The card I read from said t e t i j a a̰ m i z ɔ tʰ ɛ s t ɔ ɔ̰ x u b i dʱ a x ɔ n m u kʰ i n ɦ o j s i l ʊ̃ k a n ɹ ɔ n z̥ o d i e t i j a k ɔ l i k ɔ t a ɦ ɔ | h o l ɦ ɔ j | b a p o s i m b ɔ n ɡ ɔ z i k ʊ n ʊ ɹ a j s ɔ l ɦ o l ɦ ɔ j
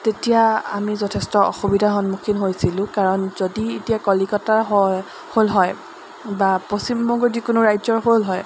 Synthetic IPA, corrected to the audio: t e t i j a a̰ m i z ɔ tʰ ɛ s t ɔ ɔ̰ x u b i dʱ a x ɔ n m u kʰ i n ɦ o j s i l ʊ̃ k a ɹ ɔ n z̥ o d i e t i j a k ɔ l i k ɔ t a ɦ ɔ | h o l ɦ ɔ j | b a p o s i m b ɔ ŋ ɡ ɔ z i k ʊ n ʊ ɹ a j z ɔ ɹ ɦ o l ɦ ɔ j

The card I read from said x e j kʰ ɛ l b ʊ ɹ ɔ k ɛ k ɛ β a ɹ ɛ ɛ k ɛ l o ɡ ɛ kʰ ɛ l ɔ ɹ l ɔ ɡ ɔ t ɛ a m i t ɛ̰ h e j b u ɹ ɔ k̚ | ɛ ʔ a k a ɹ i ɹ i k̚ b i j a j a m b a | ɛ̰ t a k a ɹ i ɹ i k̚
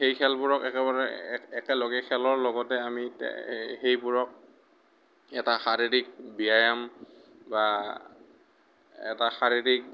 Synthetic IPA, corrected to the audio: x e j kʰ ɛ l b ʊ ɹ ɔ k ɛ k ɛ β a ɹ ɛ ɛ k ɛ l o ɡ ɛ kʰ ɛ l ɔ ɹ l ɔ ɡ ɔ t ɛ a m i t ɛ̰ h e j b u ɹ ɔ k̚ | ɛ t a x a ɹ i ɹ i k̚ b i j a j a m b a | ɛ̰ t a x a ɹ i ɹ i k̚

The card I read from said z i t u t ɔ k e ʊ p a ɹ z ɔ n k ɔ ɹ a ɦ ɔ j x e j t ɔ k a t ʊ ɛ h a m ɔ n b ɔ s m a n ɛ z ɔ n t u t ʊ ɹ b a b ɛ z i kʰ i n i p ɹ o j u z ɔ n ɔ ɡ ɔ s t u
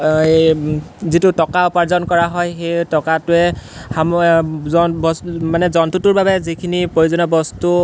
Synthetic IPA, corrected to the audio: z i t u t ɔ k a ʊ p a ɹ z ɔ n k ɔ ɹ a ɦ ɔ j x e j t ɔ k a t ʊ ɛ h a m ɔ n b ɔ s m a n ɛ z ɔ n t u t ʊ ɹ b a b ɛ z i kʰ i n i p ɹ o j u z ɔ n ɔ b ɔ s t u

